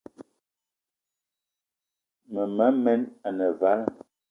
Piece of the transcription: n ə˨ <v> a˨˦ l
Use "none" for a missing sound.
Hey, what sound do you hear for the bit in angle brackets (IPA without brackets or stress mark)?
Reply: v